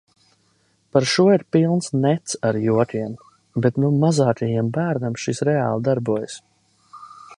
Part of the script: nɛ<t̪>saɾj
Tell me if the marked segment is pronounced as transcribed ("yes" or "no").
yes